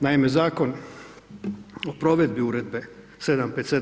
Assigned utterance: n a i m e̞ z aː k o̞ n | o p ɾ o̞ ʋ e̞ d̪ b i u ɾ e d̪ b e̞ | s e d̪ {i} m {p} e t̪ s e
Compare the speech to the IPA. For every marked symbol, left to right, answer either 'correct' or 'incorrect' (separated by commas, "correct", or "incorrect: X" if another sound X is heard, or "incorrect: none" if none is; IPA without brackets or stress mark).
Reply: incorrect: a, correct